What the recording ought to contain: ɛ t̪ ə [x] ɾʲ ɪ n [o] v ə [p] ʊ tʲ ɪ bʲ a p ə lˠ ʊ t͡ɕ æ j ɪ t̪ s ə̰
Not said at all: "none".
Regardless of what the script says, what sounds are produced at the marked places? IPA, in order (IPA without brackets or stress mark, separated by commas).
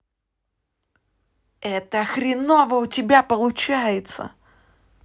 x, o, none